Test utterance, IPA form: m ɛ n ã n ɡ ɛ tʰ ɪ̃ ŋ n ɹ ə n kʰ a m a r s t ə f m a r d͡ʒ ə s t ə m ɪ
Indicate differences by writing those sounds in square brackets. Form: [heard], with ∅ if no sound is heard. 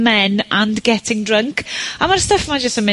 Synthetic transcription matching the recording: m ɛ n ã n ɡ ɛ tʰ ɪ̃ ŋ [d] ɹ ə [ŋ] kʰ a m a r s t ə f m a [∅] d͡ʒ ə s t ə m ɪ